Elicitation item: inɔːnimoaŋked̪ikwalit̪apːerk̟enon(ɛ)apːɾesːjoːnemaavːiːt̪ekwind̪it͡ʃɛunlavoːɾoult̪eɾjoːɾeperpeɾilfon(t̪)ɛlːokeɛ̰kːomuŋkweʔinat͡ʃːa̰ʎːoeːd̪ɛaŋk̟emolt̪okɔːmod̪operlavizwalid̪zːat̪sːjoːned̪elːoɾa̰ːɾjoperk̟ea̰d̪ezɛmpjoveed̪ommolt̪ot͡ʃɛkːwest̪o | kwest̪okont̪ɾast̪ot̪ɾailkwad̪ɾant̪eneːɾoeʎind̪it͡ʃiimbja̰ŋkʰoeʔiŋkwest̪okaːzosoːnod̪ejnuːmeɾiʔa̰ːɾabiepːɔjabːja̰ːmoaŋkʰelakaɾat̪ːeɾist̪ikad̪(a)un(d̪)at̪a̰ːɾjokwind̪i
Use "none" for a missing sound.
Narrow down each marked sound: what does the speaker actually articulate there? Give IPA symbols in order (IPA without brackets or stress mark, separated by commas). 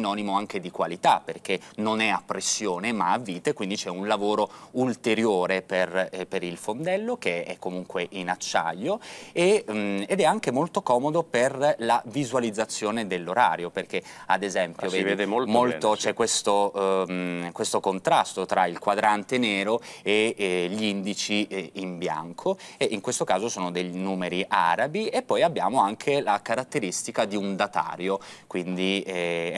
ɛ, d̪, i, d̪